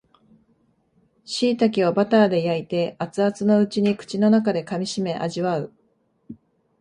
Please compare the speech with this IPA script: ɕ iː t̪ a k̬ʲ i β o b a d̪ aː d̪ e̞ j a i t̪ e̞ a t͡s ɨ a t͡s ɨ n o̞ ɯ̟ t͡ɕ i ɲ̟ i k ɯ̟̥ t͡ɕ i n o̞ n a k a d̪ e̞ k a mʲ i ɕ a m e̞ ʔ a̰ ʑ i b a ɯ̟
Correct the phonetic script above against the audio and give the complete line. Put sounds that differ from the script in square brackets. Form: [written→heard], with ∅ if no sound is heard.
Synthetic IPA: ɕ iː t̪ a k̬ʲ i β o b a [d̪→t̪] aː d̪ e̞ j a i t̪ e̞ a t͡s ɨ a t͡s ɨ n o̞ ɯ̟ t͡ɕ i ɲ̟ i k ɯ̟̥ t͡ɕ i n o̞ n a k a d̪ e̞ k a mʲ i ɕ [a→i] m e̞ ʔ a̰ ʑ i [b→β] a ɯ̟